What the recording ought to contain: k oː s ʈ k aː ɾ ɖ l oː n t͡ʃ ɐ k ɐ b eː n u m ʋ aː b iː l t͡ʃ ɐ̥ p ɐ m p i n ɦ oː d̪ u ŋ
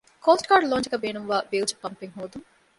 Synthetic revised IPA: k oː s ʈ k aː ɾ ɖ l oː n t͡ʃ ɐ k ɐ b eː n u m ʋ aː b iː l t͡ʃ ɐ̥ p ɐ m p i ŋ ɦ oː d̪ u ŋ